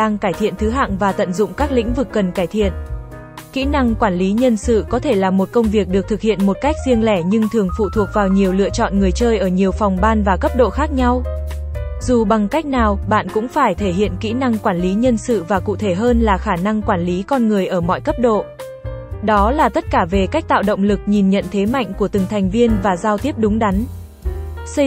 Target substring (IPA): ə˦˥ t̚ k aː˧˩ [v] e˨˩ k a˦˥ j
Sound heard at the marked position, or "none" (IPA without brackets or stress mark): v